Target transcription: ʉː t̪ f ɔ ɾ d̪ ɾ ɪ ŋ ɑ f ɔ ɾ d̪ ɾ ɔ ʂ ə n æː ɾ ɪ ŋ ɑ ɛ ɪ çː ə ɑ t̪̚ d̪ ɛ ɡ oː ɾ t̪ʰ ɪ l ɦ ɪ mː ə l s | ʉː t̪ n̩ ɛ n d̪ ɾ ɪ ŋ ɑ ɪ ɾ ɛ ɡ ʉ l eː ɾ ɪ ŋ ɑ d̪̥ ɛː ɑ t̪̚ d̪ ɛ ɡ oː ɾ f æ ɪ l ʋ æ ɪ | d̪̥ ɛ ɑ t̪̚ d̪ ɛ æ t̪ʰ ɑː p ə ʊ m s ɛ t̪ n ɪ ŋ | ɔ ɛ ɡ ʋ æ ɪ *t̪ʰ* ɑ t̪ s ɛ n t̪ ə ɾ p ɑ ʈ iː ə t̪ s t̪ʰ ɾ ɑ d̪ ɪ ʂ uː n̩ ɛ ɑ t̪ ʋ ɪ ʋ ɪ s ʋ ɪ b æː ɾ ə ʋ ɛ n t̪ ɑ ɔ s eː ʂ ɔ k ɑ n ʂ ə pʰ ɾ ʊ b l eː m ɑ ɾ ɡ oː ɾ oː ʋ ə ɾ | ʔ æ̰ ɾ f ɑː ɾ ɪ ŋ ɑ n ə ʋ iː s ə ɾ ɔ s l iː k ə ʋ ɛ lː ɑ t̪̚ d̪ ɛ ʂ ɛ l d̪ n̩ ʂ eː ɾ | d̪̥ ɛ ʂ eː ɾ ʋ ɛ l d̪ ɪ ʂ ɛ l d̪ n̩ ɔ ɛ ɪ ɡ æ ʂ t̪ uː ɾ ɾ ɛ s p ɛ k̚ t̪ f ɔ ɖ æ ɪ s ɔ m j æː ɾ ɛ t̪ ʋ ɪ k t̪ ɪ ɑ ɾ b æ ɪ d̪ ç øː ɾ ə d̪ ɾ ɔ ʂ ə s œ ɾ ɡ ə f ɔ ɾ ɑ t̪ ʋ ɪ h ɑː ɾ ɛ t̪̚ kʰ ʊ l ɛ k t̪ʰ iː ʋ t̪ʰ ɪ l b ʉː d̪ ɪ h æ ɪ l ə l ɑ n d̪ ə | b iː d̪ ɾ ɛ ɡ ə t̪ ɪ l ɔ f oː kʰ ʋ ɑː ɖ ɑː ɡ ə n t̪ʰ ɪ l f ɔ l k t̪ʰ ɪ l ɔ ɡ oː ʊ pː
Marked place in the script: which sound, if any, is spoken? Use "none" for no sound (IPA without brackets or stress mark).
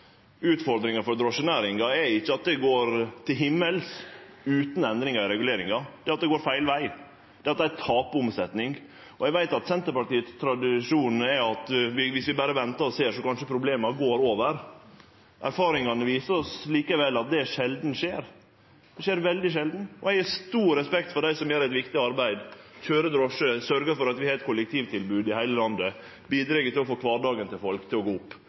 t̪